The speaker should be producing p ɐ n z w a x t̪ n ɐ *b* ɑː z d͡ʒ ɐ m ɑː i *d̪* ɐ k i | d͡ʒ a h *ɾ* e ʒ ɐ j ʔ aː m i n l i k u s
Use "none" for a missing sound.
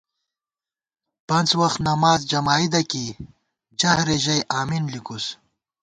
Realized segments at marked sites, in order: m, d̪, ɾ

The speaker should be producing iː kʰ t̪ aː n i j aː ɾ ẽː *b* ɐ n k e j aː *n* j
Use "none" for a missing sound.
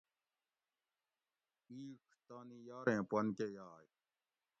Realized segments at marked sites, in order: p, none

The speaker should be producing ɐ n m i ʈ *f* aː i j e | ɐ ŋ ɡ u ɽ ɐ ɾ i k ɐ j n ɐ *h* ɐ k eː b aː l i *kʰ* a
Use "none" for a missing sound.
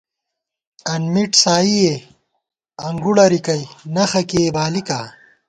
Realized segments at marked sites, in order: s, x, k

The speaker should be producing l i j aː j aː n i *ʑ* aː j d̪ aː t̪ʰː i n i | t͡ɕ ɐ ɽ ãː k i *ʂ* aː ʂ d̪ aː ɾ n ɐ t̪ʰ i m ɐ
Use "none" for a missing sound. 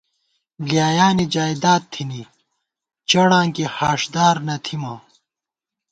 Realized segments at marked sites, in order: d͡ʑ, h

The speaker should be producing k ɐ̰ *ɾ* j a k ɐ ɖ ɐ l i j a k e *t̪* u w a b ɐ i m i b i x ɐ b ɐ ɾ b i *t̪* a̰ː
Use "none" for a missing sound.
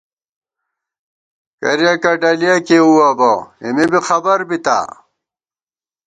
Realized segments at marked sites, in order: ɾ, none, t̪

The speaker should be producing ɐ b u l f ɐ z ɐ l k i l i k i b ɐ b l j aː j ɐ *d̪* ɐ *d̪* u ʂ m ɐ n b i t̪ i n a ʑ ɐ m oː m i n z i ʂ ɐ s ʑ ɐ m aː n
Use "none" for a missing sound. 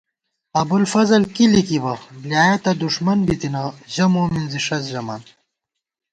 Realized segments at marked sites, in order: t̪, d̪

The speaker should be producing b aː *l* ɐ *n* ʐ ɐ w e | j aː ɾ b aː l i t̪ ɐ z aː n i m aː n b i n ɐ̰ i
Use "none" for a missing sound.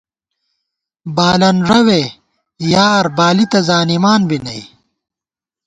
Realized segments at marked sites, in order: l, n

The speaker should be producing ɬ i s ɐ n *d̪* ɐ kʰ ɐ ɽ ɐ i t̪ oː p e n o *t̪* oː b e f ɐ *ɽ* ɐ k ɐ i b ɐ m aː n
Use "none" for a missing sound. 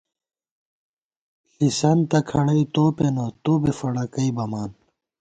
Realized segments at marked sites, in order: t̪, t̪, ɽ

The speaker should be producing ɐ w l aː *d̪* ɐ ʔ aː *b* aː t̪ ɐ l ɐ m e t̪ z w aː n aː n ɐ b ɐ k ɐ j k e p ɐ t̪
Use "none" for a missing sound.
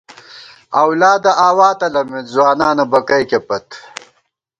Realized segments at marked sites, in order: d̪, w

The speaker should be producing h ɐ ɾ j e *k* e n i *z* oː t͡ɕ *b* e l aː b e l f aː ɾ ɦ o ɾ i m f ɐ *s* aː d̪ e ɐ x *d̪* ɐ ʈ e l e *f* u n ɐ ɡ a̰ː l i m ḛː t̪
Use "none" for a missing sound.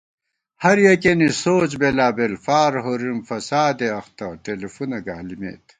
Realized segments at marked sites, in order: k, s, b, s, t̪, f

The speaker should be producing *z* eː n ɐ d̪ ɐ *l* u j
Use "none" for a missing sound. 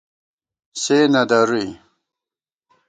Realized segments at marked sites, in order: s, ɾ

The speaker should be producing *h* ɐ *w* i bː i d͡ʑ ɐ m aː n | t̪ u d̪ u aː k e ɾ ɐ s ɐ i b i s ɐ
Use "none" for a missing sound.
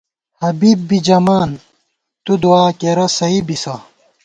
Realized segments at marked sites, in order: h, b

